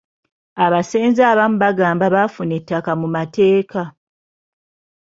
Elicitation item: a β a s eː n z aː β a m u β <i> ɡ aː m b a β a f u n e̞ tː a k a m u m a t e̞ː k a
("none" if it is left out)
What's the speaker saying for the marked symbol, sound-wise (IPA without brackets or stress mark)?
a